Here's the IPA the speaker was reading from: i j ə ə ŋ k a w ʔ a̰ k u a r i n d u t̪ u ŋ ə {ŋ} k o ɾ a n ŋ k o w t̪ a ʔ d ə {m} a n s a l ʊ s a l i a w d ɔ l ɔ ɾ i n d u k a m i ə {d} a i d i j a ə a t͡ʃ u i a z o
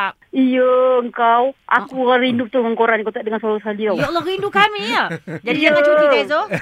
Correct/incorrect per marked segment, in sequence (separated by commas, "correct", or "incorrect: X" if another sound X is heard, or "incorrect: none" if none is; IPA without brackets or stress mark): correct, incorrect: ŋ, incorrect: d͡ʒ